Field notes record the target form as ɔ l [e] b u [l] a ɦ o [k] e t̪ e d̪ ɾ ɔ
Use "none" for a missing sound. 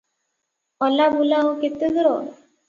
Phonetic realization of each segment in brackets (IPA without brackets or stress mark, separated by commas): a, l, k